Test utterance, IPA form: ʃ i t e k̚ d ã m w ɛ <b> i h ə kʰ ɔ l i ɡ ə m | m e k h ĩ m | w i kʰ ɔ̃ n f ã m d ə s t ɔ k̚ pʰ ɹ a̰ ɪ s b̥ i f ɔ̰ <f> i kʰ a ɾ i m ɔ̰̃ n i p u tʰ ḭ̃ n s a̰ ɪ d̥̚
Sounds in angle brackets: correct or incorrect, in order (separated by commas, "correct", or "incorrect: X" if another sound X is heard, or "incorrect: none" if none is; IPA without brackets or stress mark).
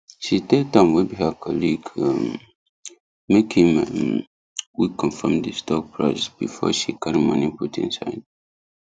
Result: correct, incorrect: ʃ